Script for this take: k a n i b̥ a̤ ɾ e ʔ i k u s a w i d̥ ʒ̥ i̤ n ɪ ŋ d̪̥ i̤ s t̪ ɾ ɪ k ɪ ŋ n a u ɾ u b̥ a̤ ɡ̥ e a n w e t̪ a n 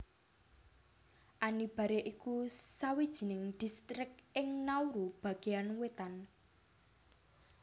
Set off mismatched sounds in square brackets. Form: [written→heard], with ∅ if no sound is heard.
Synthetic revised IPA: [k→ʔ] a n i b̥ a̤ ɾ e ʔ i k u s a w i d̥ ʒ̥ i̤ n ɪ ŋ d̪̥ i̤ s t̪ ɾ ɪ k ɪ ŋ n a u ɾ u b̥ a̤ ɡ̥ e a n w e t̪ a n